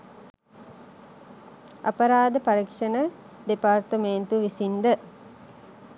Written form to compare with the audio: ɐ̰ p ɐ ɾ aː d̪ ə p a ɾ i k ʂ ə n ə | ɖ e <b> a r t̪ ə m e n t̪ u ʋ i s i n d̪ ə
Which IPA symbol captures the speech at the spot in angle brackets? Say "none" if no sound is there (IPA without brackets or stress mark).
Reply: p